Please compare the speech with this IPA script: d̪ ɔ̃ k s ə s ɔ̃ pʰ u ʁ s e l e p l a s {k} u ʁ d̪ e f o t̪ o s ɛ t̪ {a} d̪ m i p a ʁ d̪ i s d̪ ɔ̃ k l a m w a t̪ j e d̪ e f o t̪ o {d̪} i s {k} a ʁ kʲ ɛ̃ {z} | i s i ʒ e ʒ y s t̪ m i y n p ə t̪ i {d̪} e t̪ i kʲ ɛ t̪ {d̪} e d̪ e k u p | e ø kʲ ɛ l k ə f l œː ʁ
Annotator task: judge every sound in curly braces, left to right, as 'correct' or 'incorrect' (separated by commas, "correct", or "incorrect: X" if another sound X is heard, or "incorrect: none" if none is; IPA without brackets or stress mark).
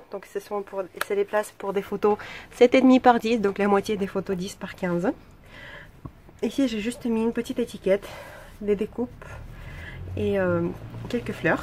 incorrect: p, incorrect: e, correct, incorrect: p, correct, incorrect: t̪, correct